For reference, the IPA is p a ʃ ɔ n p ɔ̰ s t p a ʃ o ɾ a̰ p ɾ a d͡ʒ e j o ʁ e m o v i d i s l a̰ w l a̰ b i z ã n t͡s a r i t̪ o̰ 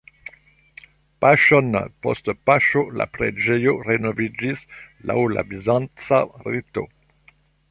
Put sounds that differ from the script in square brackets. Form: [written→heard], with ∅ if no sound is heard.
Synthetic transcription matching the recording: p a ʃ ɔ n p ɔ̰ s t p a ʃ o [ɾ→l] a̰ p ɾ [a→e] d͡ʒ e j o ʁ e [m→n] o v i [d→d͡ʒ] i s l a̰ w l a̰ b i z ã n t͡s a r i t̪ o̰